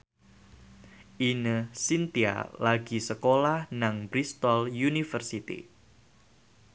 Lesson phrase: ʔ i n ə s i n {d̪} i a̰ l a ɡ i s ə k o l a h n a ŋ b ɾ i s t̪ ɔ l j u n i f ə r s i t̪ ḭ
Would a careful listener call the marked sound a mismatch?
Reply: yes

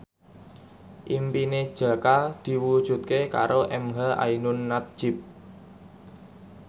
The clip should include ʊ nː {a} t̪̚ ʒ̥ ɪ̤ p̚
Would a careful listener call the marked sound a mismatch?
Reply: no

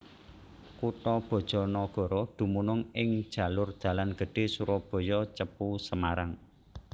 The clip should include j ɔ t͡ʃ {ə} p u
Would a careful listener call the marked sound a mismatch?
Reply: no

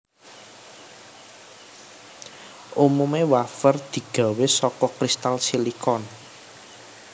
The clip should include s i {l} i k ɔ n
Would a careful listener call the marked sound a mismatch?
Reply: no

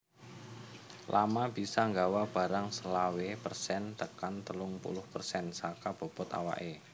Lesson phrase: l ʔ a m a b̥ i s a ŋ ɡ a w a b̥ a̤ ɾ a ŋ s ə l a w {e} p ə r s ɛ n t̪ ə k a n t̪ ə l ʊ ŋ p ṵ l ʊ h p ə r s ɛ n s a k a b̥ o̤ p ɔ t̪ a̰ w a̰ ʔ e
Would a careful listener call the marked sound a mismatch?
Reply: no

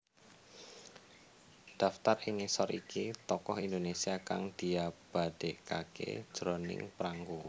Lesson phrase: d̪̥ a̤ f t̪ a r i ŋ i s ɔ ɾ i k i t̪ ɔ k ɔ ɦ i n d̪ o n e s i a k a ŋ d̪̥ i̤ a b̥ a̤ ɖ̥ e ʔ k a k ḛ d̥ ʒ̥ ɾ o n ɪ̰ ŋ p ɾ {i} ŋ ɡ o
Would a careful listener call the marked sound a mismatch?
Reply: yes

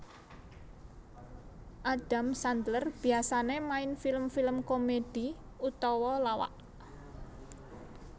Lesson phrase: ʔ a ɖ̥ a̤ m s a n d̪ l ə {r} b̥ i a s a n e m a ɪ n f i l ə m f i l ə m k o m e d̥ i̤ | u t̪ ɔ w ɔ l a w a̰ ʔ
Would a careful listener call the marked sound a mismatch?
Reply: no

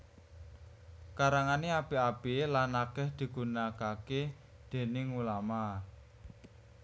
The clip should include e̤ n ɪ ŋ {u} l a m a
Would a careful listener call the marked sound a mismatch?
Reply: no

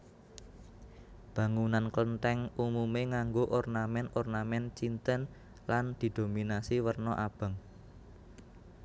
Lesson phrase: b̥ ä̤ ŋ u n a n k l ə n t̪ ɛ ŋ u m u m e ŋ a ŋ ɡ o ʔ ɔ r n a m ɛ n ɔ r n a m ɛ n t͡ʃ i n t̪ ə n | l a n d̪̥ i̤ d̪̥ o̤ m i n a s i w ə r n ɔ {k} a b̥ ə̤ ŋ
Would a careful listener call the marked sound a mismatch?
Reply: yes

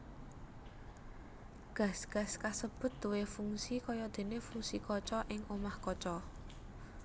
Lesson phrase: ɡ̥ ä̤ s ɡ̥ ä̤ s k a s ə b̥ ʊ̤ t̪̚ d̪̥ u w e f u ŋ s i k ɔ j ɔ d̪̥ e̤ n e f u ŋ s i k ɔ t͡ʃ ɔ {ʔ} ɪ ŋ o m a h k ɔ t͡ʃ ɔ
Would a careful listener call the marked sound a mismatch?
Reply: no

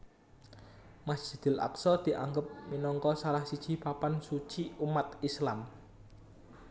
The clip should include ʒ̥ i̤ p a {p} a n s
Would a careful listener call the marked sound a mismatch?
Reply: no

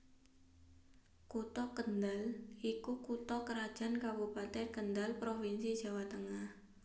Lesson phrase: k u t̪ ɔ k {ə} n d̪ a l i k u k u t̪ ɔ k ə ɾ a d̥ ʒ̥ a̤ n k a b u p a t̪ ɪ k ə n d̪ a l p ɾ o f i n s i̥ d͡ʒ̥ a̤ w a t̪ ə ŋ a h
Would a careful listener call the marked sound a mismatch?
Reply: no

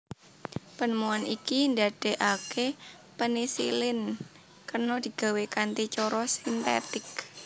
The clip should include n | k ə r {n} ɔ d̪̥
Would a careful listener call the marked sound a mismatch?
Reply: no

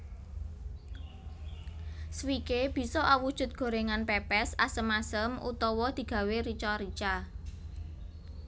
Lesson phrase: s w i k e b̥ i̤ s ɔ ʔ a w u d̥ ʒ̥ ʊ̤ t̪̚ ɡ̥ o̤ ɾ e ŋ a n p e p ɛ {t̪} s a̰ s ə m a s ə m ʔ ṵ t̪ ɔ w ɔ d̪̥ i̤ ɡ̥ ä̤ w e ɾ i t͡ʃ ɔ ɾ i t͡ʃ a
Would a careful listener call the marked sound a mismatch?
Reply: yes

